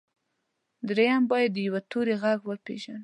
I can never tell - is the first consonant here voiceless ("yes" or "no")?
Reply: no